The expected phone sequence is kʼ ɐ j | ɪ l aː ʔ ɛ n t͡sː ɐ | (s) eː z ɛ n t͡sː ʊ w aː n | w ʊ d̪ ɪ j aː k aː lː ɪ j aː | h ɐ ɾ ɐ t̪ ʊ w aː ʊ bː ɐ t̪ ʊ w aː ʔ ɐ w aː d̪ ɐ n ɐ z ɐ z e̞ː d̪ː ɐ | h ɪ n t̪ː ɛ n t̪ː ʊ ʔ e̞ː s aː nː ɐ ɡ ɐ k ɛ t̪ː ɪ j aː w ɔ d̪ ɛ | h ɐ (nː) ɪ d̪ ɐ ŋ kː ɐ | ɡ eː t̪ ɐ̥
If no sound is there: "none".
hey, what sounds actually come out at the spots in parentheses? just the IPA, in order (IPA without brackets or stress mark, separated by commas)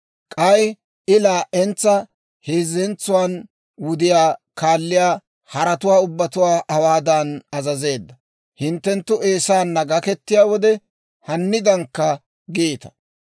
h, nː